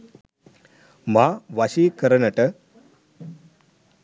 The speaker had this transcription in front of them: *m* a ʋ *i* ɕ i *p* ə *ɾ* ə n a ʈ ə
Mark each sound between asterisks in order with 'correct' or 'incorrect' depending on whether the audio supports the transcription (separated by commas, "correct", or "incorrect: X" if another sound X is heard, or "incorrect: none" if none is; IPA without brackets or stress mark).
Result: correct, incorrect: a, incorrect: k, correct